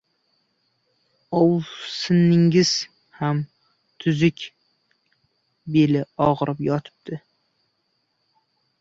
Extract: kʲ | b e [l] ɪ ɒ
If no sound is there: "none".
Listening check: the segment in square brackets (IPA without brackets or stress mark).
l